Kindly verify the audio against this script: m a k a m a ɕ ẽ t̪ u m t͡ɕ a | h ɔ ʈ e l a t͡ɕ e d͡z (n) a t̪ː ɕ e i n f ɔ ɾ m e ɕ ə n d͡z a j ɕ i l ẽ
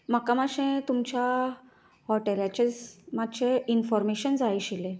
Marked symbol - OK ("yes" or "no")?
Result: no